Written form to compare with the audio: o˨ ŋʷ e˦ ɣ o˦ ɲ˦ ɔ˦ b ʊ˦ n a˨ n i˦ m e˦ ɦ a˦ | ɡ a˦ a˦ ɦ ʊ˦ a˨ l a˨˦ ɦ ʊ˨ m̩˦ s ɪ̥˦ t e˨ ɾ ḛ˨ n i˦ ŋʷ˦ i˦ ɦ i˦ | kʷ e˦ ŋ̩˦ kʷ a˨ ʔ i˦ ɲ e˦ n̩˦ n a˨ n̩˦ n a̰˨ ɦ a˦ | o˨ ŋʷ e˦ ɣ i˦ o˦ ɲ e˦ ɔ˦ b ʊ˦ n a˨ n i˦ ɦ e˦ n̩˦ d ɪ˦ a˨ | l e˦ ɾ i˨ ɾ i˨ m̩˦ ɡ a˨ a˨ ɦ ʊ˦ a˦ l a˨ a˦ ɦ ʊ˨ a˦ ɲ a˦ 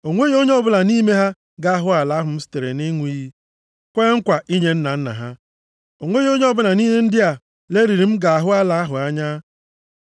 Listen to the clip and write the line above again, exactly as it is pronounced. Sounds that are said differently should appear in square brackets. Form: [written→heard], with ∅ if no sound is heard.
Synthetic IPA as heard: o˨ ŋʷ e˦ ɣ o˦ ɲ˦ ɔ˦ b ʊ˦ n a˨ n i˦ m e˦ ɦ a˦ | ɡ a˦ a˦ ɦ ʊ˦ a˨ l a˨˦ ɦ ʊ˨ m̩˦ s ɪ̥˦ t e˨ ɾ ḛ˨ n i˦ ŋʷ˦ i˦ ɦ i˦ | kʷ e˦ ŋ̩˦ kʷ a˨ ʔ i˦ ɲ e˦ n̩˦ n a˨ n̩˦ n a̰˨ ɦ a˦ | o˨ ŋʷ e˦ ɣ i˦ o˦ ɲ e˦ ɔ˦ b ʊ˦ n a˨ n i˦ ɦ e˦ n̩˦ d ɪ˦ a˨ | l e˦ ɾ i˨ ɾ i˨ m̩˦ ɡ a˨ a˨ ɦ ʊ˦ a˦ l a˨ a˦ ɦ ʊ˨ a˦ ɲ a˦